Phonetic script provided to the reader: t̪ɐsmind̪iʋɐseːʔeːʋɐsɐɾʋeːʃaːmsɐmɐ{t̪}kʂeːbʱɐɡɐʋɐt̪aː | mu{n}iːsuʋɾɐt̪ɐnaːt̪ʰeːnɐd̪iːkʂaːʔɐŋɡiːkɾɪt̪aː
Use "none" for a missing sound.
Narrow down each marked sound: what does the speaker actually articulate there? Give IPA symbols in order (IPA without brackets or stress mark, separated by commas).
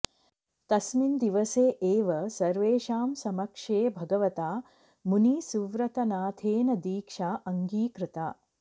none, n